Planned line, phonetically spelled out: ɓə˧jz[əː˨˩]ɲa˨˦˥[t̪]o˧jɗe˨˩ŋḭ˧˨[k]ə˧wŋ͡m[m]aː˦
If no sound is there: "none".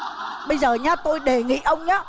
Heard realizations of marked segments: əː˨˩, t̪, ʔ, ɲ

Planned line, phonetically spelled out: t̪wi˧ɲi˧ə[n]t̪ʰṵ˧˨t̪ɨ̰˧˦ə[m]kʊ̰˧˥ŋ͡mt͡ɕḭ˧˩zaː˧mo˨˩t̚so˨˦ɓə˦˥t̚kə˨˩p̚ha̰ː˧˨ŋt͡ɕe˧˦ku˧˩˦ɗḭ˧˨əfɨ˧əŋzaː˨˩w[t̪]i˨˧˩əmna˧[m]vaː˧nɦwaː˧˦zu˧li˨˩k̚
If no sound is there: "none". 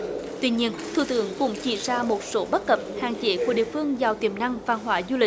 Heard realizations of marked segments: n, ŋ, t̪, ŋ

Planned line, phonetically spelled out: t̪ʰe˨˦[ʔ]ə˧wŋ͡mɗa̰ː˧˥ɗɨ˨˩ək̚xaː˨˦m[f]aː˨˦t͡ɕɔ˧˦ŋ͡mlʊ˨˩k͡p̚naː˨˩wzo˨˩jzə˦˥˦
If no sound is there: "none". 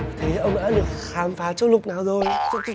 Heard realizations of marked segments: ʔ, f

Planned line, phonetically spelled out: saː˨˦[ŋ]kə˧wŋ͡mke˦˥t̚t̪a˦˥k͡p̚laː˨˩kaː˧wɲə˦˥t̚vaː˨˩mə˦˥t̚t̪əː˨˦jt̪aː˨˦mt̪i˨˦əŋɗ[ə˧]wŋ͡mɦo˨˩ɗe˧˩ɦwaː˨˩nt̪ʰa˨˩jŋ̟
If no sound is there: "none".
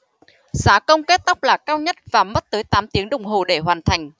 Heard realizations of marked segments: none, ə˨˩

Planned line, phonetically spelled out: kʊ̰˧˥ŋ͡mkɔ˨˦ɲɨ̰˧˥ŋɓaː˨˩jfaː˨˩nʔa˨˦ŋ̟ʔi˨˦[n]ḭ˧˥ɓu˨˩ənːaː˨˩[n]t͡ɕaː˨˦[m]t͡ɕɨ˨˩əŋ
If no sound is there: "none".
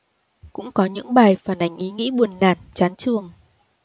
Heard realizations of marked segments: ŋ, n, n

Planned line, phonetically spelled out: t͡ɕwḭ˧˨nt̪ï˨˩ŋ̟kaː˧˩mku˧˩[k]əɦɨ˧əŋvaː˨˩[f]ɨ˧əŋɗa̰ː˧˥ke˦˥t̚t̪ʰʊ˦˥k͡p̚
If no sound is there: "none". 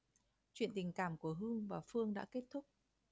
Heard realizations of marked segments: none, f

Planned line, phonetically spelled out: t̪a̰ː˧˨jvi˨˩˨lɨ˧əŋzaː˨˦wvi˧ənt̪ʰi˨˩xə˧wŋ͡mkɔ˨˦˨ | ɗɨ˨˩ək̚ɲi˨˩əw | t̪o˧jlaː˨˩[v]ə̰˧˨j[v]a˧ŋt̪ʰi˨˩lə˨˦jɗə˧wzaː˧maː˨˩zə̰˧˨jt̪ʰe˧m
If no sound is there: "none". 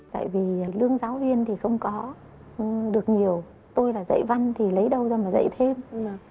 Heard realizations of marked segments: z, v

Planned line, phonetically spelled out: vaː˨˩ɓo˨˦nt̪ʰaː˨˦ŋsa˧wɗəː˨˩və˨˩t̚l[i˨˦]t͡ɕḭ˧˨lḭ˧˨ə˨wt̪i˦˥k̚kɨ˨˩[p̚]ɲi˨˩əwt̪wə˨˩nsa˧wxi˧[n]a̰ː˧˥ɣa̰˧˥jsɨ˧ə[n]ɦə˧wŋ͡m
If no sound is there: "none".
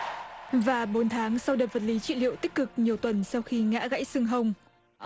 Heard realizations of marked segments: i˨˦, k̚, ŋ, ŋ

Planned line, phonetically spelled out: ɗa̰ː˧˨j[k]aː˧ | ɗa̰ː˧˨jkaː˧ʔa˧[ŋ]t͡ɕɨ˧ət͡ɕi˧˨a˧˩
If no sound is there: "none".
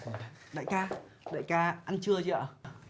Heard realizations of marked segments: k, n

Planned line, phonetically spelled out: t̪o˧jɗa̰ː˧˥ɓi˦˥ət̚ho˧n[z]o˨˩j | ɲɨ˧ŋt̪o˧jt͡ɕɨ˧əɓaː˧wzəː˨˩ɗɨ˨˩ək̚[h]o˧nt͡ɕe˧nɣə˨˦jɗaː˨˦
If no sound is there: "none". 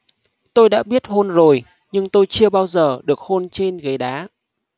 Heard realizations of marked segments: z, h

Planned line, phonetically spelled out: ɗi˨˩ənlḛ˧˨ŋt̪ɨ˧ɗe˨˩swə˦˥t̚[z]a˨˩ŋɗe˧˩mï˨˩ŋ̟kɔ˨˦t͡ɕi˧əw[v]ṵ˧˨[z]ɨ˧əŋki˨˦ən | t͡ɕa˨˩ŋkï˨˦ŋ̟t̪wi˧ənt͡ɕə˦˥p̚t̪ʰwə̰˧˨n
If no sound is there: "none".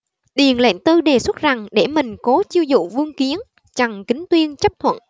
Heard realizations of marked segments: z, z, v

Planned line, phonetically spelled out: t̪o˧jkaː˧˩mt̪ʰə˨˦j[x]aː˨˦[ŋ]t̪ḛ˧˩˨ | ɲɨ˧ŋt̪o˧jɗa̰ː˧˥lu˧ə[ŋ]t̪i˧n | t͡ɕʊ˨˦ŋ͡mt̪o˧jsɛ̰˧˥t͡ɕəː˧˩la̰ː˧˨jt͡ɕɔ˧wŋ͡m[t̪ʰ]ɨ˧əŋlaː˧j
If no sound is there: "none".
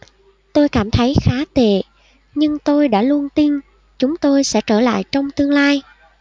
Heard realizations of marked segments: x, none, n, t̪

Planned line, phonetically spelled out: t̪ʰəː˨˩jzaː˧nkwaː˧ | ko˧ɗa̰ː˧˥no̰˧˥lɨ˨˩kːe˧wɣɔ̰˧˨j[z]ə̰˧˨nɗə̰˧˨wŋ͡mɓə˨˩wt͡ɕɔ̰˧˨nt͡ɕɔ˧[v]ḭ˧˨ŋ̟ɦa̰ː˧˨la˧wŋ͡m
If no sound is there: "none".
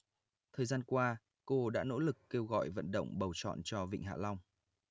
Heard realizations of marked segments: v, v

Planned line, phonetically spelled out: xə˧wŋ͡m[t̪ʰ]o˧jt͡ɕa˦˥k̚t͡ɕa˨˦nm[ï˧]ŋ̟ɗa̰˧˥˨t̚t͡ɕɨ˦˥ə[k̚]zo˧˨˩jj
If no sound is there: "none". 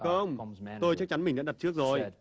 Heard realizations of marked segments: t̪, ï˨˩, k̚

